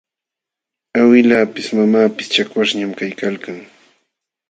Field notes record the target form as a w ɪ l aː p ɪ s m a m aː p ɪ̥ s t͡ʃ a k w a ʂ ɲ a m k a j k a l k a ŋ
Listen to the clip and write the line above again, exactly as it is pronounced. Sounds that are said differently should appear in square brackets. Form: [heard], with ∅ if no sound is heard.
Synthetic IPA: a w ɪ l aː p ɪ s m a m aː p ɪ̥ s t͡ʃ a k w a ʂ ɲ a m k a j k a l k a ŋ